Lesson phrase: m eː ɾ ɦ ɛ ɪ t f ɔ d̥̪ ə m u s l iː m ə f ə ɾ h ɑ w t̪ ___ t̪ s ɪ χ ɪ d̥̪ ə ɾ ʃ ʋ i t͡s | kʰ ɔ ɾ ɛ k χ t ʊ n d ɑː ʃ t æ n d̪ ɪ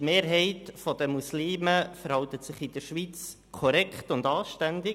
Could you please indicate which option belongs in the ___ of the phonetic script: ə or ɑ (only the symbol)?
ə